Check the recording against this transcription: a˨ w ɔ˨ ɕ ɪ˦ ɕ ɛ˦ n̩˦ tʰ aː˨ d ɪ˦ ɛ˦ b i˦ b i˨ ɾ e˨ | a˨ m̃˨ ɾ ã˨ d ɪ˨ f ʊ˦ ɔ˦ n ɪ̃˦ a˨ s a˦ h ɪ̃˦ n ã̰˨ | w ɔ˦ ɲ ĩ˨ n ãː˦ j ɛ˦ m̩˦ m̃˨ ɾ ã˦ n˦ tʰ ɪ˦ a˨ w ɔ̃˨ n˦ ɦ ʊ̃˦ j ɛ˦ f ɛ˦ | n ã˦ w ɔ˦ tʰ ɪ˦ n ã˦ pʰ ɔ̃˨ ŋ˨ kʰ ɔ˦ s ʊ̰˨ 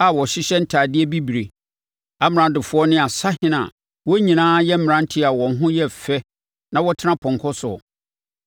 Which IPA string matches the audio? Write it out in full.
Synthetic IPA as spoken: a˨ w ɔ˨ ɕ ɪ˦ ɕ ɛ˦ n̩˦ tʰ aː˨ d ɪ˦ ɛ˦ b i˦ b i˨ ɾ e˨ | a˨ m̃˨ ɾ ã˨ d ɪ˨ f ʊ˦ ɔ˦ n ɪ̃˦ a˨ s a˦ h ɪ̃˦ n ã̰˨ | w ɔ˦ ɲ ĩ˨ n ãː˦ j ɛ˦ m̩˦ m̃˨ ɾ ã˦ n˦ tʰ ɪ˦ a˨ w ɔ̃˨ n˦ ɦ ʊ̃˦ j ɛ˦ f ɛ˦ | n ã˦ w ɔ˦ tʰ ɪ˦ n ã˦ pʰ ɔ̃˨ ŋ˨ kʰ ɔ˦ s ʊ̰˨

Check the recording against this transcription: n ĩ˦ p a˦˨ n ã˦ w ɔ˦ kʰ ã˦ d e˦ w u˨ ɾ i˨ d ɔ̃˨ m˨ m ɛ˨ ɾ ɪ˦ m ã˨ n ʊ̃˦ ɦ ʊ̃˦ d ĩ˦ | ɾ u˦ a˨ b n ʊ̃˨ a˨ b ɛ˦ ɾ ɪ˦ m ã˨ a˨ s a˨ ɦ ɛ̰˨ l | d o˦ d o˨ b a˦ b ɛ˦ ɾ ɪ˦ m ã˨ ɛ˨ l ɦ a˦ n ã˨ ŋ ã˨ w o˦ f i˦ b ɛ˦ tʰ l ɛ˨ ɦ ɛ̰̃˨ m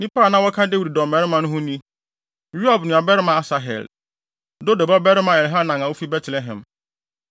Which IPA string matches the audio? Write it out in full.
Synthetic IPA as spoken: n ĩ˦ p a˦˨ n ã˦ w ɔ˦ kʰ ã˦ d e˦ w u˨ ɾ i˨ d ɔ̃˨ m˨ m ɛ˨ ɾ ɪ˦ m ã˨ n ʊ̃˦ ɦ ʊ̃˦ n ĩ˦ | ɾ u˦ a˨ b n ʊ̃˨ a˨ b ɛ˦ ɾ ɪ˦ m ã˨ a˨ s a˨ ɦ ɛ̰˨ l | d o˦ d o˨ b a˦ b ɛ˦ ɾ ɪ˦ m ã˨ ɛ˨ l ɦ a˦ n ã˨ ŋ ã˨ w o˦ f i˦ b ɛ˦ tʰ l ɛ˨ ɦ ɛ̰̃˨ m

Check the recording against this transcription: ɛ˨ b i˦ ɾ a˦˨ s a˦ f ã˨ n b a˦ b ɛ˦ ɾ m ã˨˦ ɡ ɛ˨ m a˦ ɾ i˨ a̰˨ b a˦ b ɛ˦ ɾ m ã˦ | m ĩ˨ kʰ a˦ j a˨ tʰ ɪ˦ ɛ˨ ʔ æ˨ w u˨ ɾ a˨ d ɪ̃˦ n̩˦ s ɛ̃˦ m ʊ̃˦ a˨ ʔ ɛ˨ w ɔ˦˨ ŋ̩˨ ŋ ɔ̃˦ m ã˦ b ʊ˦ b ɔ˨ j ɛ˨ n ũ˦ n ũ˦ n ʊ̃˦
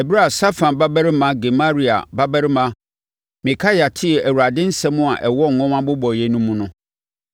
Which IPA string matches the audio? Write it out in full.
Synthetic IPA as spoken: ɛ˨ b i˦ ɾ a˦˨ s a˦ f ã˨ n b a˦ b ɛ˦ ɾ m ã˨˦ ɡ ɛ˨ m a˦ ɾ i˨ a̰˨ b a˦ b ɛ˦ ɾ m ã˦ | m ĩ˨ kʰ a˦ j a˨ tʰ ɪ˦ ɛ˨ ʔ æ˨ w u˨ ɾ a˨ d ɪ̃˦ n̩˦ s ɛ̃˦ m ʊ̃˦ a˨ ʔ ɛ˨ w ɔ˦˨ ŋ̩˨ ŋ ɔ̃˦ m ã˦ b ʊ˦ b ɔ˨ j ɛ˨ n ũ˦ m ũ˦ n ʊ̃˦

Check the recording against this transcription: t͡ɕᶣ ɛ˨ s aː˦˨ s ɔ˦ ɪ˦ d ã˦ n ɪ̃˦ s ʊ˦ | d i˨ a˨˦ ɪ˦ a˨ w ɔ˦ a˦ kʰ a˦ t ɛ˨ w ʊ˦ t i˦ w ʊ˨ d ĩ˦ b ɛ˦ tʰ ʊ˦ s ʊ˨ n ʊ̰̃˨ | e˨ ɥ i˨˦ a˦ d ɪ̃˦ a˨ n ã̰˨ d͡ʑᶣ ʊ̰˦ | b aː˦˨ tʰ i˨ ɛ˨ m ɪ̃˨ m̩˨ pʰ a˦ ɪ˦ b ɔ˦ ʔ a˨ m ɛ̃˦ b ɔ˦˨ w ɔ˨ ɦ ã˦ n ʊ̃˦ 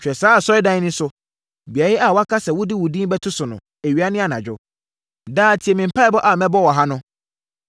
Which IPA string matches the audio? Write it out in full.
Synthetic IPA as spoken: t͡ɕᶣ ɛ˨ s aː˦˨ s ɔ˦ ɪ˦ d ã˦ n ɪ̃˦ s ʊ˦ | b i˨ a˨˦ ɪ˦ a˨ w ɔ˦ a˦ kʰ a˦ s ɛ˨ w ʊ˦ d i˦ w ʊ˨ d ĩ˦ b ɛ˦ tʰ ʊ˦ s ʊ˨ n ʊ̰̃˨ | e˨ ɥ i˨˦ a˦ n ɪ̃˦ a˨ n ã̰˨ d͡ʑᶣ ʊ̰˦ | d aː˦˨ tʰ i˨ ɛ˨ m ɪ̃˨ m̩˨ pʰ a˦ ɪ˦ b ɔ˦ ʔ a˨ m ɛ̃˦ b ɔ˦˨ w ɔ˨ ɦ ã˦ n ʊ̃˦

